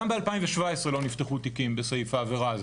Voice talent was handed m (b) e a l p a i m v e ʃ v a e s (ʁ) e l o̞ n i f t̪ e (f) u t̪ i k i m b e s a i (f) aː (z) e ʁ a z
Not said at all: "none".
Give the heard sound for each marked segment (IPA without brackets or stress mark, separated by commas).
b, ʁ, χ, f, v